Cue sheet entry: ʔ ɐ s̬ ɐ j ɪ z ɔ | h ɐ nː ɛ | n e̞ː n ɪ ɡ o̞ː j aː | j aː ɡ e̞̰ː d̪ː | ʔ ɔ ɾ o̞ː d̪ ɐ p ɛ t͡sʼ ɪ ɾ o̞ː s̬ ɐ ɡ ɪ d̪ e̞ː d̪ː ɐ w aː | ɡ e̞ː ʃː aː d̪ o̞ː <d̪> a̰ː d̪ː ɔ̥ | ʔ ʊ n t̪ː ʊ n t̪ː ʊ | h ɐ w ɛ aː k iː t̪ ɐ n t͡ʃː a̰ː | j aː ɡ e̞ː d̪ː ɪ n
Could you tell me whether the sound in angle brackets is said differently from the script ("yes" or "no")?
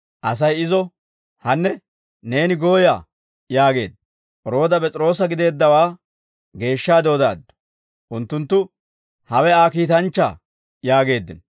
no